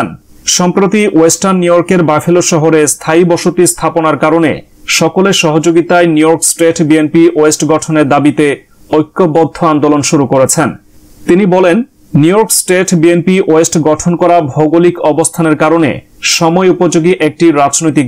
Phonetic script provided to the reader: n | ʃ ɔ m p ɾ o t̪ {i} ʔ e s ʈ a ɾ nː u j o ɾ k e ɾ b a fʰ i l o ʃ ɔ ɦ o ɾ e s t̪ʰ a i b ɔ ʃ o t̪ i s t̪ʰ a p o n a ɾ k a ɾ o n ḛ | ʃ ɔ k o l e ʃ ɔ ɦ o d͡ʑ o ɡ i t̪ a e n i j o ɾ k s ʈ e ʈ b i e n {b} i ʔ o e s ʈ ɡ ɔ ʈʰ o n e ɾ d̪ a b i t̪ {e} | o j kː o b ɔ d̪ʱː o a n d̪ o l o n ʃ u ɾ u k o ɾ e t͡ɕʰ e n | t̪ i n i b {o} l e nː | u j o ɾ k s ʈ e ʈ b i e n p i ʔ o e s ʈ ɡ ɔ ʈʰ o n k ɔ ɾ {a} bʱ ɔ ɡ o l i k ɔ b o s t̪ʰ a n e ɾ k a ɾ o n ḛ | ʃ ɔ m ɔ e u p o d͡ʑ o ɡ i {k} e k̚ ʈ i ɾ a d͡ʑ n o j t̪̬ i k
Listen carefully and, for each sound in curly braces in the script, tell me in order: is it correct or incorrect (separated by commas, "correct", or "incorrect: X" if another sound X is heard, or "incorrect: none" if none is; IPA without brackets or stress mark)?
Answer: correct, incorrect: p, correct, incorrect: ɔ, correct, incorrect: ʔ